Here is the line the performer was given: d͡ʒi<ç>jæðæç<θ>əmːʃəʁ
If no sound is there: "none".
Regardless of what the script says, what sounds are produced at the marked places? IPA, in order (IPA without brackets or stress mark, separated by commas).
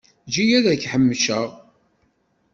none, ħ